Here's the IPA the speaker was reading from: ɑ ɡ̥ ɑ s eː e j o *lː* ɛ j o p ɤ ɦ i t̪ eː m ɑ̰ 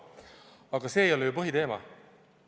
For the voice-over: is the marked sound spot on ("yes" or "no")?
no